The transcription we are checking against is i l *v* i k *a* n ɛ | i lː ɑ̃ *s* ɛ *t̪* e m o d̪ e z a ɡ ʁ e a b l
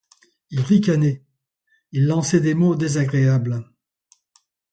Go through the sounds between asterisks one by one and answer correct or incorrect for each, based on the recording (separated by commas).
incorrect, correct, correct, incorrect